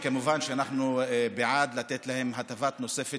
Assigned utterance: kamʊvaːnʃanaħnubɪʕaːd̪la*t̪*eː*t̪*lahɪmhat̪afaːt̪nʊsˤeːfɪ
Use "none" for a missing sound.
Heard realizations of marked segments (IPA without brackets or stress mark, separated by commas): t̪, t̪